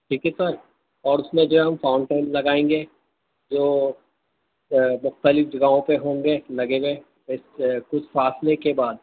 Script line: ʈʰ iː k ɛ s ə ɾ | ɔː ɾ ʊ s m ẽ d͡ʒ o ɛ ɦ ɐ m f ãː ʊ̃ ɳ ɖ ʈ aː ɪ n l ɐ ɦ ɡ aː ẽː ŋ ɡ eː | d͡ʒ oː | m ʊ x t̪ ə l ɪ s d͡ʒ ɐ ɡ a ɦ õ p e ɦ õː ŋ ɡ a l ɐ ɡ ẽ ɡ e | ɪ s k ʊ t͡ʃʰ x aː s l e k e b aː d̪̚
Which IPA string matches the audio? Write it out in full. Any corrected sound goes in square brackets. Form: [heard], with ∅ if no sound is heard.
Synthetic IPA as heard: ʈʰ iː k ɛ s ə ɾ | ɔː ɾ ʊ s m ẽ d͡ʒ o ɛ ɦ ɐ m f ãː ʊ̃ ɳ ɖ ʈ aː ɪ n l ɐ [∅] ɡ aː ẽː ŋ ɡ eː | d͡ʒ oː | m ʊ x t̪ ə l ɪ [f] d͡ʒ ɐ ɡ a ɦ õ p e ɦ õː ŋ ɡ [e] l ɐ ɡ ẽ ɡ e | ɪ s k ʊ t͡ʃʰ [f] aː s l e k e b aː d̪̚